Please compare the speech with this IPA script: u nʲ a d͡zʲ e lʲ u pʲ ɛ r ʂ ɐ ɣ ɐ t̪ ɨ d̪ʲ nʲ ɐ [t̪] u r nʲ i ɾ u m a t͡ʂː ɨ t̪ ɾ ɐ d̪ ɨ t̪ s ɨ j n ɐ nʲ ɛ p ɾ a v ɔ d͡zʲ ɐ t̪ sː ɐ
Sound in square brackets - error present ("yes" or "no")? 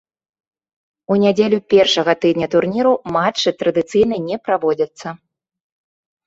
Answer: no